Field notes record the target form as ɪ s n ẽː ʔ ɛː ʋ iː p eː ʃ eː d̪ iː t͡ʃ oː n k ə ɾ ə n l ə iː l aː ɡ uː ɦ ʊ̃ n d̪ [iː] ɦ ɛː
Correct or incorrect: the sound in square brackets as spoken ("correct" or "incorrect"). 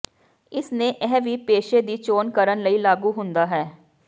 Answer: incorrect